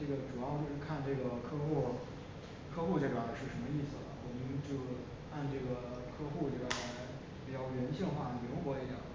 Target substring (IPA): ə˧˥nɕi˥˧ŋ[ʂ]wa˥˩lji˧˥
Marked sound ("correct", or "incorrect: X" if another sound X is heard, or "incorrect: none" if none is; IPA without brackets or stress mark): incorrect: x